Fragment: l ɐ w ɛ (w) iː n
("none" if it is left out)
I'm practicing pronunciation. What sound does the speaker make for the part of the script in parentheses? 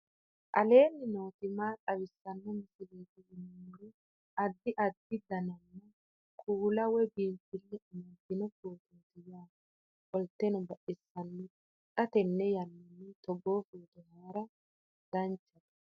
b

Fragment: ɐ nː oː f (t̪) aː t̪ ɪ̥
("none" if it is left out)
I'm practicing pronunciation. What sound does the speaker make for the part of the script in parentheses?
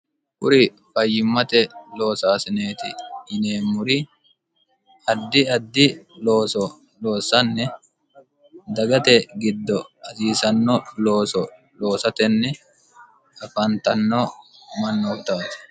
t̪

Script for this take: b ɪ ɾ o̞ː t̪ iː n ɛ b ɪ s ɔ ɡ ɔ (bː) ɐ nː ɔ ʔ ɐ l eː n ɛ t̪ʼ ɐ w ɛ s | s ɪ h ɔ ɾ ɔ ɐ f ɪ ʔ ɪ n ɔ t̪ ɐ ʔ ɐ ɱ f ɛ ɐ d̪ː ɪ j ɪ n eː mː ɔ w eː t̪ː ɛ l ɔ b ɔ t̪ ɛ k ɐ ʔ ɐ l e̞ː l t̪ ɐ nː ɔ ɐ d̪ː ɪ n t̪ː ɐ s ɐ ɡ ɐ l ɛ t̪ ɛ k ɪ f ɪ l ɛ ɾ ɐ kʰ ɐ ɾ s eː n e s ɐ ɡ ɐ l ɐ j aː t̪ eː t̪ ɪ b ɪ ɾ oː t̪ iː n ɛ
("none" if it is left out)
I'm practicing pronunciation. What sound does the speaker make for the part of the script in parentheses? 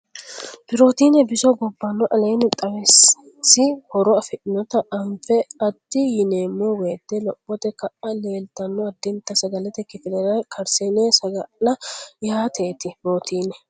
bː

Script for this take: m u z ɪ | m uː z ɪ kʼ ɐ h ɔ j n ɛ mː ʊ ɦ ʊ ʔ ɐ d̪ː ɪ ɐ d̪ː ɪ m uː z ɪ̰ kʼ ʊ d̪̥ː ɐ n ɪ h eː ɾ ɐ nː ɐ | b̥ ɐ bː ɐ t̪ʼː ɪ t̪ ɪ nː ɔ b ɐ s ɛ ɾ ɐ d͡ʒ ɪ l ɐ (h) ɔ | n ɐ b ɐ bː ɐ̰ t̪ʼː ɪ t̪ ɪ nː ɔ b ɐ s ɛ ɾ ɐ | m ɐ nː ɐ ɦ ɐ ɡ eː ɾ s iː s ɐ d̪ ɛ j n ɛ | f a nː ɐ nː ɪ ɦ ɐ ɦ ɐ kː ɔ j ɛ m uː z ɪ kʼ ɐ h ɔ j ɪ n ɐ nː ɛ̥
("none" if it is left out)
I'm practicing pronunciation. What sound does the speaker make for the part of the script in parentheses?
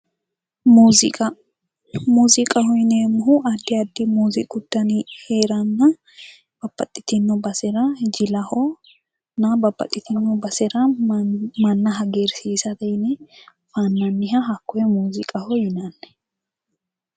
h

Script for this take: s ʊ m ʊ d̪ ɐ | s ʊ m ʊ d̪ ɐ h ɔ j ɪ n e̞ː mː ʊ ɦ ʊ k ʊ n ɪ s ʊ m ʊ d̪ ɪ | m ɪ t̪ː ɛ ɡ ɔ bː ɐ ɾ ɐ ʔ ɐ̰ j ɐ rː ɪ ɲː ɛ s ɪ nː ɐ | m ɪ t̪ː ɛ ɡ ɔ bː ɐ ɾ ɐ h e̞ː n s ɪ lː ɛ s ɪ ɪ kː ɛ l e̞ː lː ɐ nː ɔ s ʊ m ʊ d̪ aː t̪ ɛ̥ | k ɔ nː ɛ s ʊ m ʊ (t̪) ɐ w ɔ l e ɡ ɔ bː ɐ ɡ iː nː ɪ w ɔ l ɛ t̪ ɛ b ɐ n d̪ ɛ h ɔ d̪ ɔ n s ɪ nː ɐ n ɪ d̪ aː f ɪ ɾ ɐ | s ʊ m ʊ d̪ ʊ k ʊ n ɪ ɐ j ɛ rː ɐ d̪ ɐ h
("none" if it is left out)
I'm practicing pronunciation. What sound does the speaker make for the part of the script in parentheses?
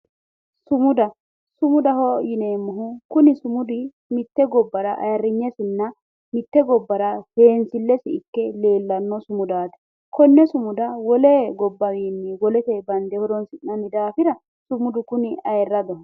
d̪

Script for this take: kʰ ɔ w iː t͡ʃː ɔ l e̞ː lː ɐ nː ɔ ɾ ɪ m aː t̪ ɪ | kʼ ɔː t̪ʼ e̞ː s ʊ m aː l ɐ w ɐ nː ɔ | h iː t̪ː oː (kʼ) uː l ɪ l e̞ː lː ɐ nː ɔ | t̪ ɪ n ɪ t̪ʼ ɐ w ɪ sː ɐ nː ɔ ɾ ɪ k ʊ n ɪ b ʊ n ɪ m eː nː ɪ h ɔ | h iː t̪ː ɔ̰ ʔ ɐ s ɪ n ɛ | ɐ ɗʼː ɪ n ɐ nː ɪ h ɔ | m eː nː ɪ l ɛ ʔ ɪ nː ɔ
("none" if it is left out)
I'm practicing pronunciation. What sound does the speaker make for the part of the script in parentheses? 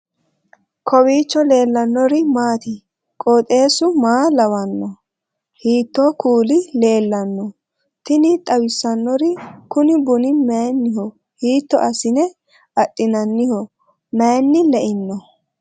k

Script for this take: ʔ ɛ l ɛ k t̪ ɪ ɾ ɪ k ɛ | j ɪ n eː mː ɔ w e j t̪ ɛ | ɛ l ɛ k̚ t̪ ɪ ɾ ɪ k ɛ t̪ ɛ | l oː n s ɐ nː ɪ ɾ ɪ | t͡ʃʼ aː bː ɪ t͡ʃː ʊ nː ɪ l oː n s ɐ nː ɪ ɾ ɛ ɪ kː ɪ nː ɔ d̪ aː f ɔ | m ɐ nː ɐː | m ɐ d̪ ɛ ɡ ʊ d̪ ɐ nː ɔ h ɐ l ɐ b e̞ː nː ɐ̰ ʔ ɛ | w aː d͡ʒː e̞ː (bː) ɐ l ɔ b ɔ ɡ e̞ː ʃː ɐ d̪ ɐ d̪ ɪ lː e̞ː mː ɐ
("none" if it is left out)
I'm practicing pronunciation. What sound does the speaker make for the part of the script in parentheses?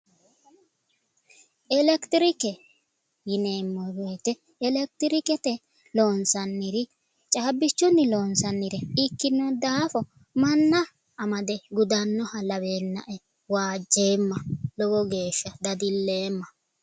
mː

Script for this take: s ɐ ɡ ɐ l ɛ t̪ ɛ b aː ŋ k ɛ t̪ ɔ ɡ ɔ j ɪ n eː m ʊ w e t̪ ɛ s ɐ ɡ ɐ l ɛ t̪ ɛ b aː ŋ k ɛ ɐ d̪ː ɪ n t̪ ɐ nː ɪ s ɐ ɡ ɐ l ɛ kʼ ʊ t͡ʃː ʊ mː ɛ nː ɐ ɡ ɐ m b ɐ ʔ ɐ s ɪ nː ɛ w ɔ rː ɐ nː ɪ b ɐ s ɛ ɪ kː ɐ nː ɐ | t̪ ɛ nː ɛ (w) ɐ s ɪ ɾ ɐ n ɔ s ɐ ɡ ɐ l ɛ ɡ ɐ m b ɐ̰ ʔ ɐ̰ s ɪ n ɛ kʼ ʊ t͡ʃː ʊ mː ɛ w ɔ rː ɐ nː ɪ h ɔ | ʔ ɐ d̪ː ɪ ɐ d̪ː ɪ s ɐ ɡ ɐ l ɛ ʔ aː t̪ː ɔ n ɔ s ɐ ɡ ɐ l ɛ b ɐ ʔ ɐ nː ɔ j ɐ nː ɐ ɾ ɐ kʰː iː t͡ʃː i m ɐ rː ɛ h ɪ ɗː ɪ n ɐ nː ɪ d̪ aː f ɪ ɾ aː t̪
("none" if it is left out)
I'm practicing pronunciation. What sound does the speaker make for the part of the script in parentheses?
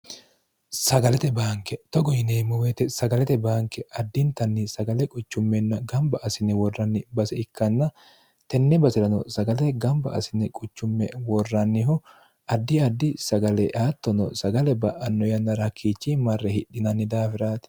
b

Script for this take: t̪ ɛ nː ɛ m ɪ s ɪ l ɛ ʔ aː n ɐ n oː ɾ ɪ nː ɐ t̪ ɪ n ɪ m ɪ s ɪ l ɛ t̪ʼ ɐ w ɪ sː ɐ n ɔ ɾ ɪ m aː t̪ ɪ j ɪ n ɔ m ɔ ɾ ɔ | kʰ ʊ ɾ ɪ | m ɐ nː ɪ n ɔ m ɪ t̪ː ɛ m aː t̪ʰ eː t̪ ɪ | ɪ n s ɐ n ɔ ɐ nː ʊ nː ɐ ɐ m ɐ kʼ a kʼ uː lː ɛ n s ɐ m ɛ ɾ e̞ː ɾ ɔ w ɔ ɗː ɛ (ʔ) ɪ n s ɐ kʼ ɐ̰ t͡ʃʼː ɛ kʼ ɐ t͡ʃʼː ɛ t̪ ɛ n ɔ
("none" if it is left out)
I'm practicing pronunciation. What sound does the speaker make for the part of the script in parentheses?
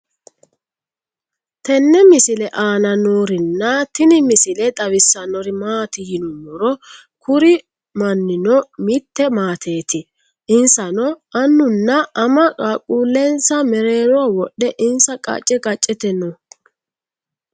ʔ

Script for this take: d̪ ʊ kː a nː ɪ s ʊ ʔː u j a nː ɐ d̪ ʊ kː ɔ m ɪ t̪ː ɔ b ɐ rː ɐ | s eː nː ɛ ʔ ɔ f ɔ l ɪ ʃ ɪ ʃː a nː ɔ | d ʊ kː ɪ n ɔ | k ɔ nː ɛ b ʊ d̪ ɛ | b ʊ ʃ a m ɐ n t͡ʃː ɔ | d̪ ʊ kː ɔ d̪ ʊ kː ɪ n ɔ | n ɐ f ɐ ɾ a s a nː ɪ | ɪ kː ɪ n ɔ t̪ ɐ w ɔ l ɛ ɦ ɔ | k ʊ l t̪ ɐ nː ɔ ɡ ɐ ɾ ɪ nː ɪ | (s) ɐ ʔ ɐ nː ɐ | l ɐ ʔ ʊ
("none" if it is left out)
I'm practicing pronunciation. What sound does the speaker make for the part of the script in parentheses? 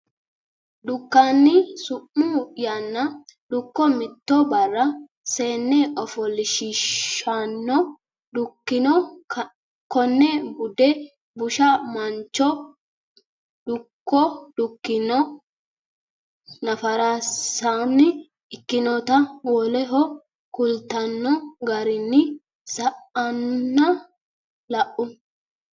s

